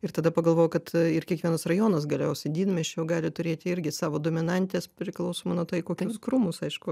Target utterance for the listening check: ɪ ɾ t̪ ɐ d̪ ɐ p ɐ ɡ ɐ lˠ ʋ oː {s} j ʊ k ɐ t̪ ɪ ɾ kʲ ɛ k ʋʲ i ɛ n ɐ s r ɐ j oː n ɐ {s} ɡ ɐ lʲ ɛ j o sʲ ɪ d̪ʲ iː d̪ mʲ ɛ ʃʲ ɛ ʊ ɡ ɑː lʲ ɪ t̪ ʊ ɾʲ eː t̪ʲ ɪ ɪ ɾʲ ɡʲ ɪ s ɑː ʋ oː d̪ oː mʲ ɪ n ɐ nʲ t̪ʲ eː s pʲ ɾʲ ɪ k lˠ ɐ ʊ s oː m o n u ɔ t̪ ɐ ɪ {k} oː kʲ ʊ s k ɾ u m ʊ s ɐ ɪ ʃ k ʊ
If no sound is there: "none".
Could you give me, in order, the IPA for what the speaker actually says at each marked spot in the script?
none, s, k

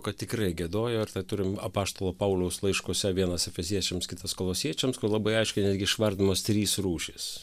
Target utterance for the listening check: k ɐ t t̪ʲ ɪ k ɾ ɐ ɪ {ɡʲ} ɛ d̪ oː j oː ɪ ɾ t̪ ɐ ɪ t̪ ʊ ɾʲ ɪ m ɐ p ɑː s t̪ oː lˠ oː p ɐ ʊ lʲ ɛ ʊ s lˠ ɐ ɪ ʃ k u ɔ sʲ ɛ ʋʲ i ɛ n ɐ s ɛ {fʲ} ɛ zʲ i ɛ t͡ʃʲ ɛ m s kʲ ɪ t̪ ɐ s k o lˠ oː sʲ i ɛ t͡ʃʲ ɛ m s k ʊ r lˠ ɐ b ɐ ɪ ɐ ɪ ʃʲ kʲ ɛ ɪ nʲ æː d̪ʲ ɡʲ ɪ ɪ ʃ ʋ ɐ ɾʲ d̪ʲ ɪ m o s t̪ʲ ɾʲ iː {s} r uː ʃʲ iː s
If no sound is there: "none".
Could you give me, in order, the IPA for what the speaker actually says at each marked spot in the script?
ɡʲ, fʲ, s

